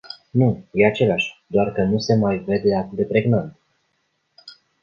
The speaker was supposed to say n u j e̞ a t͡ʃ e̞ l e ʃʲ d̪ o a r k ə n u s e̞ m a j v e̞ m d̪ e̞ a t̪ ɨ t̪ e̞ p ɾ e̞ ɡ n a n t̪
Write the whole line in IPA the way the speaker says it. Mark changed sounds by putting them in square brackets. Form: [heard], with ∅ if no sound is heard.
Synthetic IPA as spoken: n u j e̞ a t͡ʃ e̞ l [a] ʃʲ d̪ o a r k ə n u s e̞ m a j v e̞ [∅] d̪ e̞ a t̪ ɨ [d̪] e̞ p ɾ e̞ ɡ n a n t̪

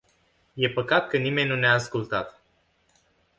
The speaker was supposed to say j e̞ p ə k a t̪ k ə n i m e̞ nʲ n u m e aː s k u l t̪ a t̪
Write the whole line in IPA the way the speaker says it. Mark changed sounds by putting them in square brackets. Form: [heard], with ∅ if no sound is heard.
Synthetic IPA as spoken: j e̞ p ə k a t̪ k ə n i m e̞ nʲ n u [n] e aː s k u l t̪ a t̪

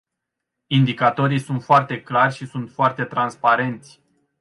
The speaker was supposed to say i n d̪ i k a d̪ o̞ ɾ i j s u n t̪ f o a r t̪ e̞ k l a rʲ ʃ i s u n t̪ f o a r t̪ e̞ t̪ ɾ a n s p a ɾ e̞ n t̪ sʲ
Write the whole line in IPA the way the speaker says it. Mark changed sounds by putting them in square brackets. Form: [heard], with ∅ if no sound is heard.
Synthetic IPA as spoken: i n d̪ i k a [t̪] o̞ ɾ i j s u n t̪ f o a r t̪ e̞ k l a rʲ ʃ i s u n t̪ f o a r t̪ e̞ t̪ ɾ a n s p a ɾ e̞ n t̪ sʲ

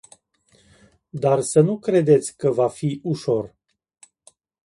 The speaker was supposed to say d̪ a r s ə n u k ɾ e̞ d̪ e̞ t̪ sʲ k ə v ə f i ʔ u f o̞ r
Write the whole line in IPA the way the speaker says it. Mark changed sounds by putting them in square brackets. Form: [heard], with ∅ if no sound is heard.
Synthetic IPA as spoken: d̪ a r s ə n u k ɾ e̞ d̪ e̞ t̪ sʲ k ə v [a] f i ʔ u [ʃ] o̞ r

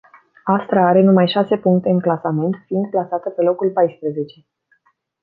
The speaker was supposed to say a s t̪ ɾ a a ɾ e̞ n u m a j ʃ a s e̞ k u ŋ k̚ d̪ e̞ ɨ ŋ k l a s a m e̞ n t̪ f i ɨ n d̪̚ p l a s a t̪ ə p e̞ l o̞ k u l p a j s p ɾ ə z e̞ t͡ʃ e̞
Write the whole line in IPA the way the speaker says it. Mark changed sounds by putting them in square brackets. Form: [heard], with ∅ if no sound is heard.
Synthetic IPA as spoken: a s t̪ ɾ a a ɾ e̞ n u m a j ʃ a s e̞ [p] u ŋ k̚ [t̪] e̞ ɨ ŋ k l a s a m e̞ n t̪ f i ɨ n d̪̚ p l a s a t̪ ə p e̞ l o̞ k u l p a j s p ɾ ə z e̞ t͡ʃ e̞

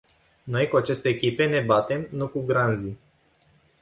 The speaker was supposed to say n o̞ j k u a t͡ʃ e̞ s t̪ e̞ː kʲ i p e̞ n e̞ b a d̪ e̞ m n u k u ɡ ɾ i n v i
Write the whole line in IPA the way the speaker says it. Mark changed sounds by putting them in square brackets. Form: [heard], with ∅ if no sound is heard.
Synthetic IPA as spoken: n o̞ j k u a t͡ʃ e̞ s t̪ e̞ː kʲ i p e̞ n e̞ b a [t̪] e̞ m n u k u ɡ ɾ [a] n [z] i

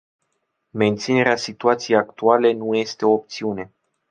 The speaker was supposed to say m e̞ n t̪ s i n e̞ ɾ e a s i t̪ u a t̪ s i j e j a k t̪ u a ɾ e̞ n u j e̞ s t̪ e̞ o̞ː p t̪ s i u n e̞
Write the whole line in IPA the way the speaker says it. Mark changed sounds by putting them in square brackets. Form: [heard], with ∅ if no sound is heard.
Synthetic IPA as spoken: m e̞ n t̪ s i n e̞ ɾ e a s i t̪ u a t̪ s i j e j a k t̪ u a [l] e̞ n u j e̞ s t̪ e̞ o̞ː p t̪ s i u n e̞

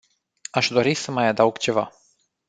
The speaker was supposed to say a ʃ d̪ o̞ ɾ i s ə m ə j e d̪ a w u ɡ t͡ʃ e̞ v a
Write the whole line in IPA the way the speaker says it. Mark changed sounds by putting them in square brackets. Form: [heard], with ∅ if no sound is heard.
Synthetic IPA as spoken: a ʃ d̪ o̞ ɾ i s ə m [a] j [a] d̪ a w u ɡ t͡ʃ e̞ v a

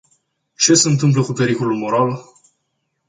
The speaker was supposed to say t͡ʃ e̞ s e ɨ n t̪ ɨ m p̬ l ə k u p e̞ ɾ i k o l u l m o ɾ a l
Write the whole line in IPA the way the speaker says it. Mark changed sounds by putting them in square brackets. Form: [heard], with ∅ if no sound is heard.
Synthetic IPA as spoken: t͡ʃ e̞ s e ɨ n t̪ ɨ m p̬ l ə k u p e̞ ɾ i k o l u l m o ɾ a l

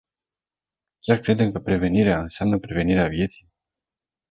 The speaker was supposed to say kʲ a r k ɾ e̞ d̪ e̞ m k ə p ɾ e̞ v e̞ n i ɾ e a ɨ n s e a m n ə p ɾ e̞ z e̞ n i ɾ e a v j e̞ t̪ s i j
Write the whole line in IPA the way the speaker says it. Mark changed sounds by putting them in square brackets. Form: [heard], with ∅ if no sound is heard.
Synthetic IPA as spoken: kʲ a r k ɾ e̞ d̪ e̞ m k ə p ɾ e̞ v e̞ n i ɾ e a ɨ n s e a m n ə p ɾ e̞ [v] e̞ n i ɾ e a v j e̞ t̪ s i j

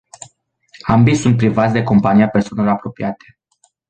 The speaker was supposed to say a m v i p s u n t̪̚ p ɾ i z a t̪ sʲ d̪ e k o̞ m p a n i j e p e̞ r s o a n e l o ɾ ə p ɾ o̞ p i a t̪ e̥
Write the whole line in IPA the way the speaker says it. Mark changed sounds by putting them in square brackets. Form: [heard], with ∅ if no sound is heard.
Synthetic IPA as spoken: a m [b] i [∅] s u n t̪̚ p ɾ i [v] a t̪ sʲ d̪ e k o̞ m p a n i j [a] p e̞ r s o a n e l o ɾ [a] p ɾ o̞ p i a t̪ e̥

